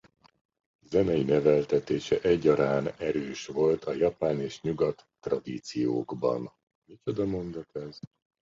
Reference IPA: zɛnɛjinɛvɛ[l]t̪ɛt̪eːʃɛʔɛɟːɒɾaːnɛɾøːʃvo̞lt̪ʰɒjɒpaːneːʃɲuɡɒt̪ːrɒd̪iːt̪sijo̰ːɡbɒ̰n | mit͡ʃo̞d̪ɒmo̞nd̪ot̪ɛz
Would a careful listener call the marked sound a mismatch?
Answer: no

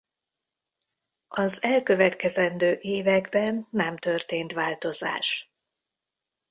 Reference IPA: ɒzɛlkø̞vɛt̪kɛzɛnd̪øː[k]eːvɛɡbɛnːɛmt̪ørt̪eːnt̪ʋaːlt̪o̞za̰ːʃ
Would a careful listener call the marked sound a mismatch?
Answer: yes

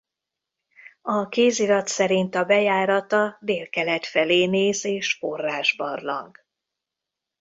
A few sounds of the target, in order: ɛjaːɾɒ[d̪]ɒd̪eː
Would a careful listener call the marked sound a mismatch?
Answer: yes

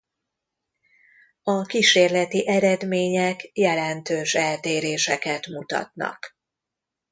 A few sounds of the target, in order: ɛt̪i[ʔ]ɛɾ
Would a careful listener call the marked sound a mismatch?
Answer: no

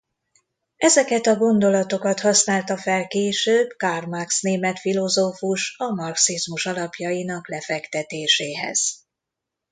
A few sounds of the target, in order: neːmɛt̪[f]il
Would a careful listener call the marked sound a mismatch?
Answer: no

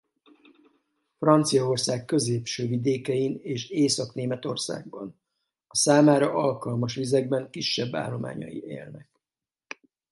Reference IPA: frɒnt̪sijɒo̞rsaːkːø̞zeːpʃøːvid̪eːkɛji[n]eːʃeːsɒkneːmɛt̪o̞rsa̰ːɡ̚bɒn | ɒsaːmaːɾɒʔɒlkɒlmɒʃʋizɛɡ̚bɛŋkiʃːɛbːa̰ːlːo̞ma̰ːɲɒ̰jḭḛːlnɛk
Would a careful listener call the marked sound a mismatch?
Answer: no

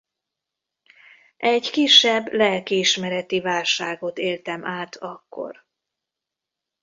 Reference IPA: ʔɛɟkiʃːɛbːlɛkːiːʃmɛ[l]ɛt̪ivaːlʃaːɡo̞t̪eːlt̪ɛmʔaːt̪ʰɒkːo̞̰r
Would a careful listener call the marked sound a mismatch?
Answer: yes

